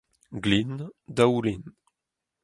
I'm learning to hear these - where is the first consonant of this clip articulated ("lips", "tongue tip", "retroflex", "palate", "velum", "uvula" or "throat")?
velum